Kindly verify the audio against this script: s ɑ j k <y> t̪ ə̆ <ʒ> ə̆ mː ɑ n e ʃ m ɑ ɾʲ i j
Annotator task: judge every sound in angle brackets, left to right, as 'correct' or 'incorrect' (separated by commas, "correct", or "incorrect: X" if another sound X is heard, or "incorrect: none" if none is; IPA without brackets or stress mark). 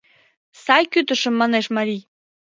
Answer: correct, incorrect: ʃ